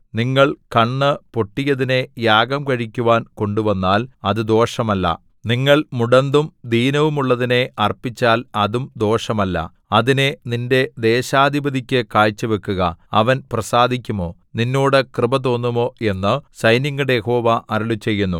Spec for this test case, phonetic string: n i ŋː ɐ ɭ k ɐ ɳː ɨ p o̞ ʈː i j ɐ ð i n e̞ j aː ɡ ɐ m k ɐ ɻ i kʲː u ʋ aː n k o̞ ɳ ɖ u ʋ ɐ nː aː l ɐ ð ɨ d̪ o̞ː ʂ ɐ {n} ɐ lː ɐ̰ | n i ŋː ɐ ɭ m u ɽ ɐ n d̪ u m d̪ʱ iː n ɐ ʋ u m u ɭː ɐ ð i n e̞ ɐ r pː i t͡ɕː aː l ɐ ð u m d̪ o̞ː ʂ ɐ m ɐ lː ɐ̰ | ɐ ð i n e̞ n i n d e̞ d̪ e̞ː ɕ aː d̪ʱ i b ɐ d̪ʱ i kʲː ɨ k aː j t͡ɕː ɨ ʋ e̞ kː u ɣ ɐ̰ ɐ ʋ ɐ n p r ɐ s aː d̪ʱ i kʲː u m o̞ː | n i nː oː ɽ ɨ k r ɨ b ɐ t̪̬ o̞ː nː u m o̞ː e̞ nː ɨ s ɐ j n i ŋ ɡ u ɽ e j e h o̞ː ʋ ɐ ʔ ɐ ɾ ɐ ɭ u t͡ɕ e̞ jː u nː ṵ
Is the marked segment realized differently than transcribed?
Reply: yes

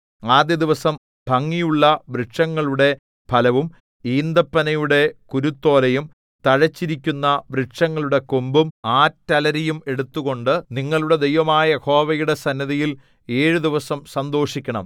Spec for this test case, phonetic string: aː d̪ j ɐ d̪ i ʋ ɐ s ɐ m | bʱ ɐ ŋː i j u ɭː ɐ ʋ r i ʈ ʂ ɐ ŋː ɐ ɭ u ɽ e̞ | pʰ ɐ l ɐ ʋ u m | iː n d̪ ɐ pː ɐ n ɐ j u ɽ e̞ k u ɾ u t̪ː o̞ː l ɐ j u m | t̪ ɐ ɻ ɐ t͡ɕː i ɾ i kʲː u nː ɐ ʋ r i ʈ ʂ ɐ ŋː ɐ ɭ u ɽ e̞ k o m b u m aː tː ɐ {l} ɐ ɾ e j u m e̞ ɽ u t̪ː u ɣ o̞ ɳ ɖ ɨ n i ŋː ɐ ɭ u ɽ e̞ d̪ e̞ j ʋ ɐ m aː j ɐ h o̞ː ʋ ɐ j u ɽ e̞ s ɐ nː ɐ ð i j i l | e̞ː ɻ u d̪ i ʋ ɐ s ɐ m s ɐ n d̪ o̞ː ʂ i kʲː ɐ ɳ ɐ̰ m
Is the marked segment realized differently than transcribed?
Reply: no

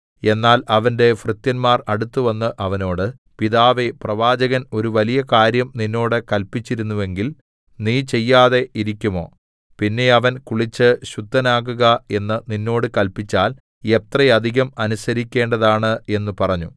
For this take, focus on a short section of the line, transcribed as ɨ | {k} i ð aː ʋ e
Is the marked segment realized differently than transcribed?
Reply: yes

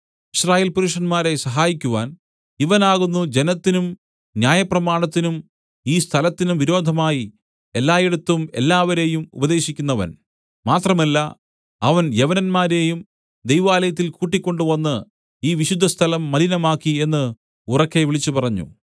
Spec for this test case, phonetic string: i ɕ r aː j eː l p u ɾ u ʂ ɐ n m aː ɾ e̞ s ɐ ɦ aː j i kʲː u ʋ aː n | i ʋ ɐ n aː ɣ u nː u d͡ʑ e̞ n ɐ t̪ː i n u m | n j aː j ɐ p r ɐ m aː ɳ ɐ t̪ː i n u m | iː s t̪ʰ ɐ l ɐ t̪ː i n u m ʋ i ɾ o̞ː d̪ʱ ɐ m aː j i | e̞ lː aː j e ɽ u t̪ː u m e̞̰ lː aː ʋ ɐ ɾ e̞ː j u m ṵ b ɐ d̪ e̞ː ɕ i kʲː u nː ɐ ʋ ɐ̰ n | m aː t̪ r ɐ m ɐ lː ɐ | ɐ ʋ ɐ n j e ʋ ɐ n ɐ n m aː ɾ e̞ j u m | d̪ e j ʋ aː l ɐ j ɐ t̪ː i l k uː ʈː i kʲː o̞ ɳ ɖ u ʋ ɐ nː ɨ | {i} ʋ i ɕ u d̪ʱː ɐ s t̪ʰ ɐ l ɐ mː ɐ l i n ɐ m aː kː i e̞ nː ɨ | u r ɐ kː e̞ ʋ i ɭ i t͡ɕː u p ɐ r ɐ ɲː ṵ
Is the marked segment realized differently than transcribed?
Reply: yes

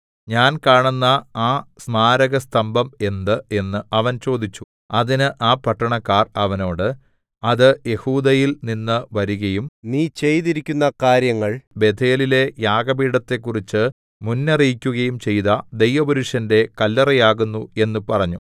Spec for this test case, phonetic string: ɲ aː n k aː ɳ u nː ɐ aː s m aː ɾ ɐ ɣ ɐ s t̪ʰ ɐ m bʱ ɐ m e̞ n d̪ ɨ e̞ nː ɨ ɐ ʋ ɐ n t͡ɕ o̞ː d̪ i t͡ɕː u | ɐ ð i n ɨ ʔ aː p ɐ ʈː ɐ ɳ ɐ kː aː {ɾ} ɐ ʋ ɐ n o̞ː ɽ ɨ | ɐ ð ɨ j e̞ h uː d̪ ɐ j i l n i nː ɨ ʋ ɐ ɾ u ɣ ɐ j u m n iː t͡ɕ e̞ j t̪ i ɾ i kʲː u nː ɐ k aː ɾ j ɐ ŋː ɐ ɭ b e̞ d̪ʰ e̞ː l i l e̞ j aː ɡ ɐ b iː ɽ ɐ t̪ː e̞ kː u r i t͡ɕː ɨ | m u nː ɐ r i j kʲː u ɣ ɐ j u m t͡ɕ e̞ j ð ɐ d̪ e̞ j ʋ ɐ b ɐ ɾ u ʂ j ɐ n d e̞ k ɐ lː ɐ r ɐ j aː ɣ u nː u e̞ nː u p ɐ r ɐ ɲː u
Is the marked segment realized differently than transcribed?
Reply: yes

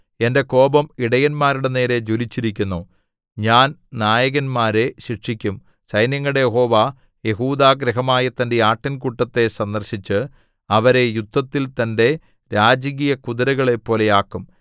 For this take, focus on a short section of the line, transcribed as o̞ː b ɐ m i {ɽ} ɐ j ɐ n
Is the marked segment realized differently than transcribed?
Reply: no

